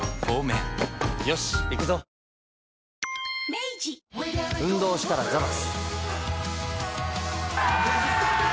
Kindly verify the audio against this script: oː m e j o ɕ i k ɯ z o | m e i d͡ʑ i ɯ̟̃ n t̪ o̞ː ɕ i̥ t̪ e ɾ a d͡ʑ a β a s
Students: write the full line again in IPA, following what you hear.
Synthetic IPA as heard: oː m e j o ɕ i k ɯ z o | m e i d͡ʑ i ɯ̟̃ n d̪ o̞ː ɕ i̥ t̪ a ɾ a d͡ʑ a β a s

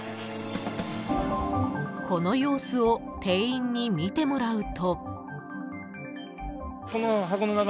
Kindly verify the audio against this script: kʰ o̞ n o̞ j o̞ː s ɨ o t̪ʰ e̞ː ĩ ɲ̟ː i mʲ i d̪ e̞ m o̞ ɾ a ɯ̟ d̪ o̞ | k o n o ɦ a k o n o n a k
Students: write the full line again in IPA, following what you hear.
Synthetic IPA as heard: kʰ o̞ n o̞ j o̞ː s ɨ o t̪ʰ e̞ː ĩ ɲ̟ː i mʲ i t̪ e̞ m o̞ ɾ a ɯ̟ t̪ o̞ | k o n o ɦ a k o n o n a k

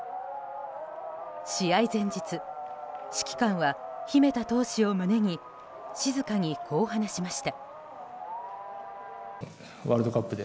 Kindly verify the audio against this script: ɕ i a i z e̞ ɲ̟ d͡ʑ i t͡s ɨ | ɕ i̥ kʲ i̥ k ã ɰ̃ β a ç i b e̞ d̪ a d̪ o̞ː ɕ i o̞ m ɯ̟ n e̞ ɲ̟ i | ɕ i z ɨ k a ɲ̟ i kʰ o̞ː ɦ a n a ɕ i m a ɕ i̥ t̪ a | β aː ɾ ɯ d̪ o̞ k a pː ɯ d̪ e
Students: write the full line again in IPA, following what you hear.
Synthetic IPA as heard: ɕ i a i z ẽ̞ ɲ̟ d͡ʑ i t͡s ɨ | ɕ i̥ kʲ i̥ k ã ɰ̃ β a ç i m e̞ t̪ a t̪ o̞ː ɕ i o̞ m ɯ̟ n e̞ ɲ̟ i | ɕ i z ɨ k a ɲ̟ i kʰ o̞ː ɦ a n a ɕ i m a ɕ i̥ t̪ a | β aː ɾ ɯ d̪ o̞ k a pː ɯ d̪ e

